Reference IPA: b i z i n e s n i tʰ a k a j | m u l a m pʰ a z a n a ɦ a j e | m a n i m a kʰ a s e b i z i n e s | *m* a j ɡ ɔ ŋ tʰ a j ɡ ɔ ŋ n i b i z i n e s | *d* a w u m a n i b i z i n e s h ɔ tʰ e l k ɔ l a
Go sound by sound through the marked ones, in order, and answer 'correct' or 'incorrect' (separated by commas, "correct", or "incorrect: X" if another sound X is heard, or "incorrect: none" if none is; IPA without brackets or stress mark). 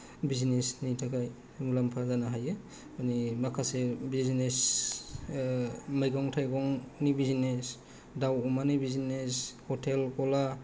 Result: correct, correct